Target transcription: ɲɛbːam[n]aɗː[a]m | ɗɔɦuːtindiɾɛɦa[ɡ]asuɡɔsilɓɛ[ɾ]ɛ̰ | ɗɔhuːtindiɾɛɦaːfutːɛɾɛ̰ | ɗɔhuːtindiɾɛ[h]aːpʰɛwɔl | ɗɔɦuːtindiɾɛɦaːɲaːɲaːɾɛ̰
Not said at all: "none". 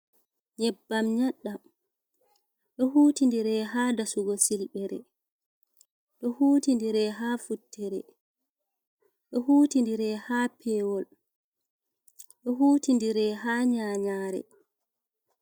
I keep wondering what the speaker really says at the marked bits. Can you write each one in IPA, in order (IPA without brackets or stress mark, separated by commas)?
ɲ, a, d, ɾ, h